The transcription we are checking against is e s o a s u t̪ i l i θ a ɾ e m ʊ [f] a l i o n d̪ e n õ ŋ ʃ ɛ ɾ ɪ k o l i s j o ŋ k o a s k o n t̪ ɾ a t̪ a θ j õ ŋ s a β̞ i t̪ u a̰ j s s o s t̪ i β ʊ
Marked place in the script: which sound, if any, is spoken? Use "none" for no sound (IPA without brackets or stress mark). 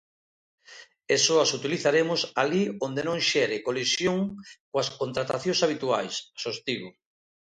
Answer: s